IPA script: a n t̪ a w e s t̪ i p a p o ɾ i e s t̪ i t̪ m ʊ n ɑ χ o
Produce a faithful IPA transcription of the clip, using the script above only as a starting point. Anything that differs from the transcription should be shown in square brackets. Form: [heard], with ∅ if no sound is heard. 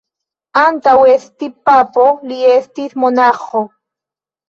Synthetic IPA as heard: a n t̪ a w e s t̪ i p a p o [l] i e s t̪ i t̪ m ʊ n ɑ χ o

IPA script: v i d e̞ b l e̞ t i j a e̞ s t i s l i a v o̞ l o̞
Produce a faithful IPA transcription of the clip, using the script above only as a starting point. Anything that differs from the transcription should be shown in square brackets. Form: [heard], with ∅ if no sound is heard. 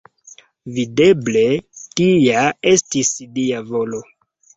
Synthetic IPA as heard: v i d e̞ b l e̞ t i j a e̞ s t i s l i a v o̞ l o̞

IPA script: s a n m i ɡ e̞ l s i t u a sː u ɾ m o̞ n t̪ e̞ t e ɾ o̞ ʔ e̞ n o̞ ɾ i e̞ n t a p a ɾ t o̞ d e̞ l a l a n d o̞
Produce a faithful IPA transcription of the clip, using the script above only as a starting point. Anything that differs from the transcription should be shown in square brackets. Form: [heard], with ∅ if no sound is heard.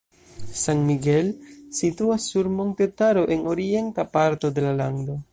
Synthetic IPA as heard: s a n m i ɡ e̞ l s i t u a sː u ɾ m o̞ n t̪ e̞ t [a] ɾ o̞ ʔ e̞ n o̞ ɾ i e̞ n t a p a ɾ t o̞ d e̞ l a l a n d o̞

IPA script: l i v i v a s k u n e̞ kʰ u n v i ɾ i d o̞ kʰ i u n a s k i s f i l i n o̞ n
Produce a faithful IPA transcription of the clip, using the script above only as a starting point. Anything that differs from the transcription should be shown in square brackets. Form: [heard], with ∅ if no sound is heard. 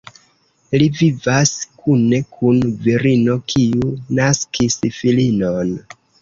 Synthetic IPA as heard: l i v i v a s k u n e̞ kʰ u n v i ɾ i [n] o̞ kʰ i u n a s k i s f i l i n o̞ n

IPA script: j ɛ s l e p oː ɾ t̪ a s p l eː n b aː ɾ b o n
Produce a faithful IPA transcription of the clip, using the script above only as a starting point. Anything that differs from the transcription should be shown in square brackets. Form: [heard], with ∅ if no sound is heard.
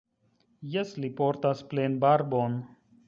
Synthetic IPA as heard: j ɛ s l [i] p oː ɾ t̪ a s p l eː n b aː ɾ b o n

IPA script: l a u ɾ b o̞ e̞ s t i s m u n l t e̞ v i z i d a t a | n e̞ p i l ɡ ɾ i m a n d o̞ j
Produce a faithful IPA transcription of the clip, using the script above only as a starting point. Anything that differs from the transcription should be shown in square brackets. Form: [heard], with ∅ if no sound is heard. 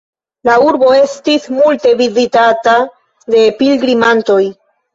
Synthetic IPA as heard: l a u ɾ b o̞ e̞ s t i s m u [∅] l t e̞ v i z i [t] a t a | [d] e̞ p i l ɡ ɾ i m a n [t] o̞ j

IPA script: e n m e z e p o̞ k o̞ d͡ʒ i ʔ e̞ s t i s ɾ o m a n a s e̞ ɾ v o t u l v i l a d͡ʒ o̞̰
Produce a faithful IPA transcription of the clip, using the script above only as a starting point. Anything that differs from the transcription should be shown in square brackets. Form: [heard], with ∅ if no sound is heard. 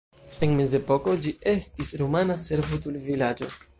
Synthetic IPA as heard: e n m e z e p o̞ k o̞ d͡ʒ i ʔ e̞ s t i s ɾ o m a n a s e̞ ɾ v o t u l v i l a d͡ʒ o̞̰

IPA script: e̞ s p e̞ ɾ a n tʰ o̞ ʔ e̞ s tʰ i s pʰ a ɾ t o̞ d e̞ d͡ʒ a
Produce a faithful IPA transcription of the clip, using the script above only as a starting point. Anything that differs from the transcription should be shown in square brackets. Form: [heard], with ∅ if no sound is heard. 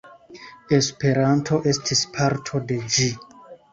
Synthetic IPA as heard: e̞ s p e̞ ɾ a n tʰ o̞ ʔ e̞ s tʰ i s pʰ a ɾ [tʰ] o̞ d e̞ d͡ʒ [i]

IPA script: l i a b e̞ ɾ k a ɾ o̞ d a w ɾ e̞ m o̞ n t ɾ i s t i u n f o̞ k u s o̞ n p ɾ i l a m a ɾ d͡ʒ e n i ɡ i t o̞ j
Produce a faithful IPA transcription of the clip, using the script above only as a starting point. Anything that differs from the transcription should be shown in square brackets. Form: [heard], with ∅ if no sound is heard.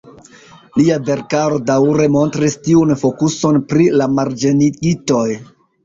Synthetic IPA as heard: l i a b e̞ ɾ k a ɾ o̞ d a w ɾ e̞ m o̞ n t ɾ i s t i u n f o̞ k u s o̞ n p ɾ i l a m a ɾ d͡ʒ e n i ɡ i t o̞ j

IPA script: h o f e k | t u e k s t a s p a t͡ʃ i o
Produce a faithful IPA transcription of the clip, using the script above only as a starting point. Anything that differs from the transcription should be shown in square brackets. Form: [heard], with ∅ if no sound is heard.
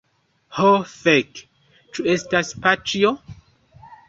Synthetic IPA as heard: h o f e k | [t͡ʃ] u e [∅] s t a s p a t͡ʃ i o

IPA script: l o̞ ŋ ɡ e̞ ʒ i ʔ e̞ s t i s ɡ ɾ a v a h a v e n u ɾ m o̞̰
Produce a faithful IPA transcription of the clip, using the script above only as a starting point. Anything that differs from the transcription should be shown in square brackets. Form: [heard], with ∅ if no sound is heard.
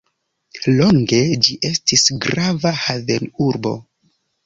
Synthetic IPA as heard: l o̞ ŋ ɡ e̞ [d͡ʒ] i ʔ e̞ s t i s ɡ ɾ a v a h a v e n u ɾ [b] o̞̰

